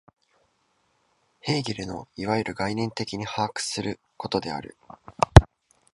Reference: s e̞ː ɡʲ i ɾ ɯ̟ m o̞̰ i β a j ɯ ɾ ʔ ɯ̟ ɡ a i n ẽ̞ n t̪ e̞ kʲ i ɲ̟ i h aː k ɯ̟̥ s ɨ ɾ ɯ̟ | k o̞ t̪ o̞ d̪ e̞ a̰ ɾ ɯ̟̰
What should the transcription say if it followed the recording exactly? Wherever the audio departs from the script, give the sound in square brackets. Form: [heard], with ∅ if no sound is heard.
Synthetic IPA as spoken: [h] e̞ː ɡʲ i ɾ ɯ̟ [n] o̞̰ i β a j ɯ ɾ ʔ ɯ̟ ɡ a i n ẽ̞ n t̪ e̞ kʲ i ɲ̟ i h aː k ɯ̟̥ s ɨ ɾ ɯ̟ | k o̞ t̪ o̞ d̪ e̞ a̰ ɾ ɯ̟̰